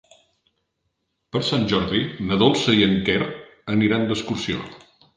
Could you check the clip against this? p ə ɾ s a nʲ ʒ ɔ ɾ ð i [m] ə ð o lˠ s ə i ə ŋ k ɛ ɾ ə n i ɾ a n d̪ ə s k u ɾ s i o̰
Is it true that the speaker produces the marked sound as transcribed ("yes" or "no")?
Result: no